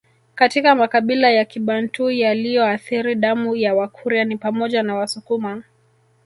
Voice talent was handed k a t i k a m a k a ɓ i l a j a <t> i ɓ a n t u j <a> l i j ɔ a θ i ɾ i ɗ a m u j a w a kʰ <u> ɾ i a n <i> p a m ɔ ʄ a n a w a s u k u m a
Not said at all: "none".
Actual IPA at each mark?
k, a, u, i

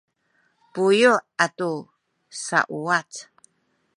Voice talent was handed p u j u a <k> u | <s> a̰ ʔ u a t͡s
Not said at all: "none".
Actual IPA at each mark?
t, s

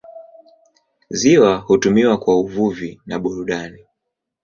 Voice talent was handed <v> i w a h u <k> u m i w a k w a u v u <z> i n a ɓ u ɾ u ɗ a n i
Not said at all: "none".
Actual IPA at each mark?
z, t, v

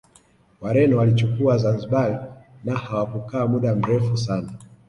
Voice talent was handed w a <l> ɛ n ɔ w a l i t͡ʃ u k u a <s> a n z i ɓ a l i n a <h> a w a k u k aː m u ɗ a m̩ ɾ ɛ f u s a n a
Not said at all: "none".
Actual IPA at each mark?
ɾ, z, h

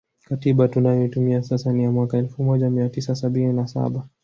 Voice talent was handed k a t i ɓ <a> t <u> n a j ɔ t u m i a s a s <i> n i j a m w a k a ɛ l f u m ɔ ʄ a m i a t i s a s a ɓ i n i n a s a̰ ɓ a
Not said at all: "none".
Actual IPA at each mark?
a, u, a

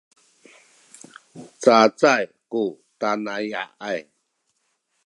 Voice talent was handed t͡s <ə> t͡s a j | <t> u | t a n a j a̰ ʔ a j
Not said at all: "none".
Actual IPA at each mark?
a, k

